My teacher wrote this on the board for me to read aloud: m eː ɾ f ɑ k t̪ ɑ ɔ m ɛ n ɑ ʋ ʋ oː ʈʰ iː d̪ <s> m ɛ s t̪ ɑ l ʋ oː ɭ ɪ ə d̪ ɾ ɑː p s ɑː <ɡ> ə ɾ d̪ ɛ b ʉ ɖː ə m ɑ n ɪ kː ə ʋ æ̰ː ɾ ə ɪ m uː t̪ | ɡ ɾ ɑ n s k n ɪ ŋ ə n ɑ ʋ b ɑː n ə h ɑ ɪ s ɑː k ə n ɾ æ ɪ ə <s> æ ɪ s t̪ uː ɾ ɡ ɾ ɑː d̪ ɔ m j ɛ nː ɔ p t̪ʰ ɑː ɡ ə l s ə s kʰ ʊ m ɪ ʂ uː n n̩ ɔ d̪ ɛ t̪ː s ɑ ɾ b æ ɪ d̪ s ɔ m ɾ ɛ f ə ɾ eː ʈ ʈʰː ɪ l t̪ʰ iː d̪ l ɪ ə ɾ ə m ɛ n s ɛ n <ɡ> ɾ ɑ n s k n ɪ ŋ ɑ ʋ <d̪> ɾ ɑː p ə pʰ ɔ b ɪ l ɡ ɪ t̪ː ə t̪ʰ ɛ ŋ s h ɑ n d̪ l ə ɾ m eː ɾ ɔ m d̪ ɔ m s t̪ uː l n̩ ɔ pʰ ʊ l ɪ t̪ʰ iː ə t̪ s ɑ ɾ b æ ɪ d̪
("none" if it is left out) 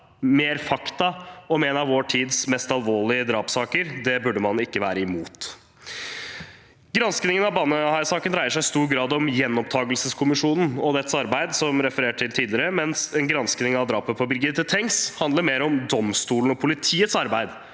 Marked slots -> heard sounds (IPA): s, k, ʂ, ɡ, d̪

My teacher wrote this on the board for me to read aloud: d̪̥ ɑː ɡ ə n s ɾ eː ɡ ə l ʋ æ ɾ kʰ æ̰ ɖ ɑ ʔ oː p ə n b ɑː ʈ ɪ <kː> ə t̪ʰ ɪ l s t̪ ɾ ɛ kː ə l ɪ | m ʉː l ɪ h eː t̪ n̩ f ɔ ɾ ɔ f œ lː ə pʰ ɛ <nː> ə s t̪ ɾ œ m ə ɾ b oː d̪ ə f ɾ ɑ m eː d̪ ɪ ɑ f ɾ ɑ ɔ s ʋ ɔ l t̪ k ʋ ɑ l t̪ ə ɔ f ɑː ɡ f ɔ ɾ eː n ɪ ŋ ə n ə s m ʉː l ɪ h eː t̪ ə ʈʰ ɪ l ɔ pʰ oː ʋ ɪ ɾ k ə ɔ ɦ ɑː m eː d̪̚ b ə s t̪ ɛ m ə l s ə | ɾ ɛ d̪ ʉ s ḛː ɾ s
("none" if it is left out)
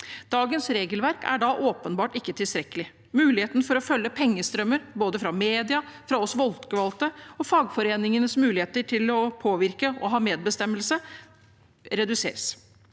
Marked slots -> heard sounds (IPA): kː, ŋː

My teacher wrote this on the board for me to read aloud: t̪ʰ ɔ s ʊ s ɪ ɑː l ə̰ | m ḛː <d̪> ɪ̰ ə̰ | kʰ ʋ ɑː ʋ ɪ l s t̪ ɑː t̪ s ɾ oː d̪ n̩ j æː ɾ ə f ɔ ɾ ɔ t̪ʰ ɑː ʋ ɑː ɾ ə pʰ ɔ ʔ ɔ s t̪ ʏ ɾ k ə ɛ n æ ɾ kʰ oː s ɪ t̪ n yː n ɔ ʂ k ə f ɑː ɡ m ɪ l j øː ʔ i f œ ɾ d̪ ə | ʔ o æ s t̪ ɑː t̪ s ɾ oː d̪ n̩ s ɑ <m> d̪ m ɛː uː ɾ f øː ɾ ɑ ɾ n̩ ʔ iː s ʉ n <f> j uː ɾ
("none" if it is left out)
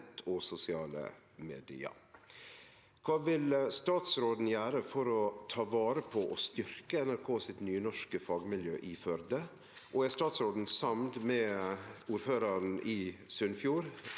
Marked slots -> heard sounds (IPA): d̪, m, f

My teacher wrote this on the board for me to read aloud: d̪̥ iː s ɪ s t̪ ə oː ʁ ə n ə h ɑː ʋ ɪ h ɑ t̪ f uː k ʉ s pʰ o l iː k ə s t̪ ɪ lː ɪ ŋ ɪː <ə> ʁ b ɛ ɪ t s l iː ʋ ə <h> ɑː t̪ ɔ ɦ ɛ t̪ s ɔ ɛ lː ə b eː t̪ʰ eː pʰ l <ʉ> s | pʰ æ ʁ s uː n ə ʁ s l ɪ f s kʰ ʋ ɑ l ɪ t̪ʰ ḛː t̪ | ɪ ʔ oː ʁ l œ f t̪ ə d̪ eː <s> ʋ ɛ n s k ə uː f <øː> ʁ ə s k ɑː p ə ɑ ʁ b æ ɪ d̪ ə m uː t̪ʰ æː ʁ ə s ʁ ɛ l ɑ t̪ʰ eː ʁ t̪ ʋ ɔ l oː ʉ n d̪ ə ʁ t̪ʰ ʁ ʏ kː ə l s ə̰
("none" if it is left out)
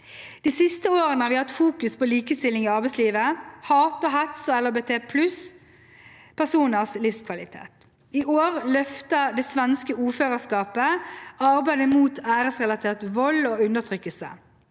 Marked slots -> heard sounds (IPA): ɑ, h, ʉ, s, øː

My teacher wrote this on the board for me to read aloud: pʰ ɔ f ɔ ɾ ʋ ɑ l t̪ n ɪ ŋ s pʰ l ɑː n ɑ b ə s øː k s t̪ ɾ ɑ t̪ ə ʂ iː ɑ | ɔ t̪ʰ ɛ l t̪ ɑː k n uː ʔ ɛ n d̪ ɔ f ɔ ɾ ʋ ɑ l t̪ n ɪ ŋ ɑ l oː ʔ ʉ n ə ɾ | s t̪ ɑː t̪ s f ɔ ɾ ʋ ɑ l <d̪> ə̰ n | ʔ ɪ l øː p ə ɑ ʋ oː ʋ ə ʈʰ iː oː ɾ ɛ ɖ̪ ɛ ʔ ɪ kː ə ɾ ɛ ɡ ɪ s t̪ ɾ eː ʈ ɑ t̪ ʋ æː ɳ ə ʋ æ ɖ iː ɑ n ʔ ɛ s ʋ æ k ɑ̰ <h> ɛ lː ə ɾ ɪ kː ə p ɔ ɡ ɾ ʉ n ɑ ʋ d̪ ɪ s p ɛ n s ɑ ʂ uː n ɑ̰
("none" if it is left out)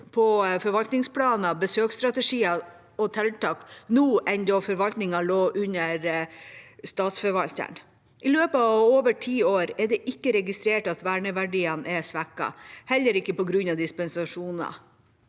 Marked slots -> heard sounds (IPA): t̪, h

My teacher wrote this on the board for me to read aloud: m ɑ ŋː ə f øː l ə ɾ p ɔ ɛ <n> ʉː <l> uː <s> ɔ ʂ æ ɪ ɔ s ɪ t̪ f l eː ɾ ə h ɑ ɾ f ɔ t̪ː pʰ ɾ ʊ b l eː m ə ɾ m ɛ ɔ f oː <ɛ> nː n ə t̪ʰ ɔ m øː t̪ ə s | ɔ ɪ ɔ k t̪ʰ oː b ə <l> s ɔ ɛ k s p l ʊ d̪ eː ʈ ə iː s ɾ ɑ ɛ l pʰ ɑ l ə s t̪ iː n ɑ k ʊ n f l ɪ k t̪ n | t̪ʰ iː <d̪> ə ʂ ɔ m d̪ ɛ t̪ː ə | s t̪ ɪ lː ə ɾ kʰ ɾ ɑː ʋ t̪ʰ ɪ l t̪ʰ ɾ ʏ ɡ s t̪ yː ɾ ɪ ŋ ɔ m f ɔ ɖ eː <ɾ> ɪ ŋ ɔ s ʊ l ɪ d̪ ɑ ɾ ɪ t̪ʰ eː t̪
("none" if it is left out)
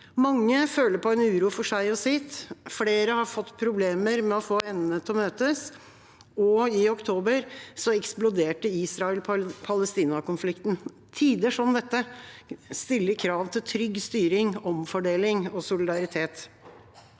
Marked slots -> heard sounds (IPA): n, ɾ, f, ɛ, ɾ, d̪, l

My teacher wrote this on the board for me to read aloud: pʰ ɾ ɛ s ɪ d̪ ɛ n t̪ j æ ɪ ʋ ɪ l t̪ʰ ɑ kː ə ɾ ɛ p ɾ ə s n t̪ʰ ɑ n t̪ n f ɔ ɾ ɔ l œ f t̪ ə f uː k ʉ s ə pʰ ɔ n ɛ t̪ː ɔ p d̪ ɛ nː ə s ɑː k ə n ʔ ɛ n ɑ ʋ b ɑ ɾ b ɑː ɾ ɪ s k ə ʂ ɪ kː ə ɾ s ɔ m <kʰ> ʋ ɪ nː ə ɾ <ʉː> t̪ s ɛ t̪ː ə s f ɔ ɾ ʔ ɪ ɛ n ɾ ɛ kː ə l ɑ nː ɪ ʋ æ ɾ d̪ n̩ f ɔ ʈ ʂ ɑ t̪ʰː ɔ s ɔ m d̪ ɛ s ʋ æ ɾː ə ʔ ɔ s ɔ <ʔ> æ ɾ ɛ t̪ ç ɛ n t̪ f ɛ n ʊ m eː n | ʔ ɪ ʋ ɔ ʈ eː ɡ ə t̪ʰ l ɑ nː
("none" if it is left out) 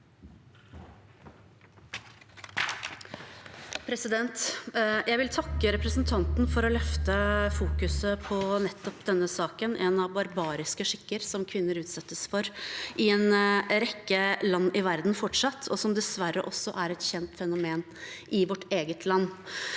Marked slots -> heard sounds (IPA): kʰ, ʉː, ʔ

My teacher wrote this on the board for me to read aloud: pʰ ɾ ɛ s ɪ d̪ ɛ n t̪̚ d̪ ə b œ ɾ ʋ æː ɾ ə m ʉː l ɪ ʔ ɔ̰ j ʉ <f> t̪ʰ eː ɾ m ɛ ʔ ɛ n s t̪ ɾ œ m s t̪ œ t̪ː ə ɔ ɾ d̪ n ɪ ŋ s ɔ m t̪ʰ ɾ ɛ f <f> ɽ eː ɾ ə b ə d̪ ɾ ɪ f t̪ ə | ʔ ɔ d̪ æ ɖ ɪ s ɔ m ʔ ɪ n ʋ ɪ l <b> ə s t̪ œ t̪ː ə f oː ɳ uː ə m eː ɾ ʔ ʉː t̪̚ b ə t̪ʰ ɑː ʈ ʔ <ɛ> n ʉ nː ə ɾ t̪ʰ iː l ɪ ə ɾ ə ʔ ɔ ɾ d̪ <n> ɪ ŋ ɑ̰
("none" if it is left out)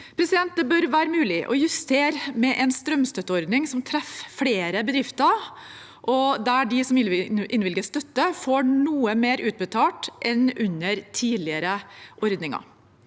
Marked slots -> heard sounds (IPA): s, f, ɡ, ɛ, n

